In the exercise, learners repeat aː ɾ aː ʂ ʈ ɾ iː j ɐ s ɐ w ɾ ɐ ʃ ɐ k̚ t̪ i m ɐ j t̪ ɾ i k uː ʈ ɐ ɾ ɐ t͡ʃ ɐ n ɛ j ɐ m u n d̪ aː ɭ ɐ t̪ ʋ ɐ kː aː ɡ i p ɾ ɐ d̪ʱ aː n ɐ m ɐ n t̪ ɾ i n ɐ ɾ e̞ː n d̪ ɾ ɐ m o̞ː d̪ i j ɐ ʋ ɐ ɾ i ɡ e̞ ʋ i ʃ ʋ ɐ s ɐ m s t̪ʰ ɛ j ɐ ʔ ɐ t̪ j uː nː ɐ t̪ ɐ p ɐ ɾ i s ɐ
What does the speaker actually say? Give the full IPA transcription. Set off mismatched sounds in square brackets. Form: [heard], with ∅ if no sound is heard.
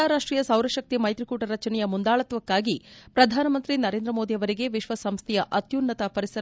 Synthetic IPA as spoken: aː ɾ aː ʂ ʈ ɾ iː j ɐ s ɐ w ɾ ɐ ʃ ɐ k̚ t̪ i m ɐ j t̪ ɾ i k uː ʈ ɐ ɾ ɐ t͡ʃ ɐ n ɛ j ɐ m u n d̪ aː ɭ ɐ t̪ ʋ ɐ kː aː ɡ i p ɾ ɐ d̪ʱ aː n ɐ m ɐ n t̪ ɾ i n ɐ ɾ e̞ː n d̪ ɾ ɐ m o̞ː d̪ i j ɐ ʋ ɐ ɾ i ɡ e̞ ʋ i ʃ ʋ ɐ s ɐ m s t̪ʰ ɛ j ɐ ʔ ɐ t̪ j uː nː ɐ t̪ ɐ p ɐ ɾ i s ɐ